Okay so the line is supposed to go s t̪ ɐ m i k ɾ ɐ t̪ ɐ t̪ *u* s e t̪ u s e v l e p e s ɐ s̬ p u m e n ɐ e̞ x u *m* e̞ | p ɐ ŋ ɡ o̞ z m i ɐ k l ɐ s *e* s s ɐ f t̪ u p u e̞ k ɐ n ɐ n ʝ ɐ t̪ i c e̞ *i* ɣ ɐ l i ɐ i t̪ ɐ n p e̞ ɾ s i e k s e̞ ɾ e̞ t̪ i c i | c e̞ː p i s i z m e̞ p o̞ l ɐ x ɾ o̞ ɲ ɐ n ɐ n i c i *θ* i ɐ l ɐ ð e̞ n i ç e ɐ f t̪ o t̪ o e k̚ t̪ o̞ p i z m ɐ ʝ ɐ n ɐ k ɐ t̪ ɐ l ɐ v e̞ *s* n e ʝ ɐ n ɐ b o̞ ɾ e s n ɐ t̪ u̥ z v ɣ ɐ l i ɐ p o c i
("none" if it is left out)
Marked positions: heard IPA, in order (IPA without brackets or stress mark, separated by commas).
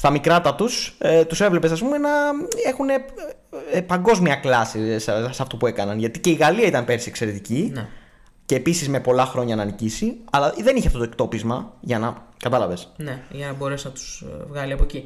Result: u, n, i, i, s, s